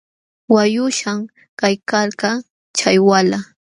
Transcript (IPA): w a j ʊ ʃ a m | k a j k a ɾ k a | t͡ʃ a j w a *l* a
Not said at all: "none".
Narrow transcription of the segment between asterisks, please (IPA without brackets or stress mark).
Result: l